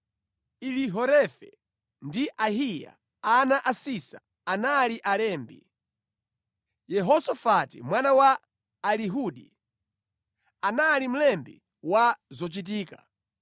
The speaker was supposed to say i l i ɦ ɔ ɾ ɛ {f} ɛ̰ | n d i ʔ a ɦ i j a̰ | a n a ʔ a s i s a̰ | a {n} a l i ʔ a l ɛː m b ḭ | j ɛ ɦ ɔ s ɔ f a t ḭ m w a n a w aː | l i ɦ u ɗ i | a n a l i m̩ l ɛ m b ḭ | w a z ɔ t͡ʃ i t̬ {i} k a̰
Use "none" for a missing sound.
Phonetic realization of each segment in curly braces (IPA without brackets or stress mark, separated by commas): f, n, iː